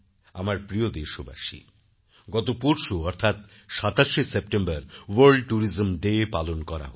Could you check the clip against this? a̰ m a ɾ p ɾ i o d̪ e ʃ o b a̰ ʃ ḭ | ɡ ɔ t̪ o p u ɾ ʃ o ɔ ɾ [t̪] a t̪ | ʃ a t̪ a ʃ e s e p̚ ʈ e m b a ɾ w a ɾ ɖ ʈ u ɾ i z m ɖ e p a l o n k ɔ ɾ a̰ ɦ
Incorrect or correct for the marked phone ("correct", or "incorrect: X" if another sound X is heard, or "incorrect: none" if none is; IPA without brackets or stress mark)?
incorrect: t̪ʰ